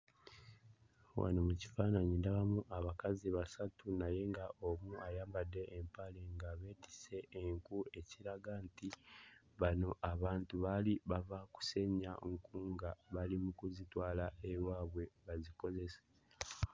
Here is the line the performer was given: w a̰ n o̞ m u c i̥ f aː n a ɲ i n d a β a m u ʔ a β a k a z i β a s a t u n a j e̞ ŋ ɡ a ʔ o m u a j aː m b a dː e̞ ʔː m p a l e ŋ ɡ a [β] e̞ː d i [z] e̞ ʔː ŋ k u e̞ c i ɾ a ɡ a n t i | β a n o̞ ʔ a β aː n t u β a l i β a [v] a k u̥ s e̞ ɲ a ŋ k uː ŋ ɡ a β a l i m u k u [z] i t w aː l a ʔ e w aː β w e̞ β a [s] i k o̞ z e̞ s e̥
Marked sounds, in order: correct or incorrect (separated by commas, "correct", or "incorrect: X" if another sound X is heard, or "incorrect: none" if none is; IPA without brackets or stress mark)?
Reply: correct, incorrect: s, correct, correct, incorrect: z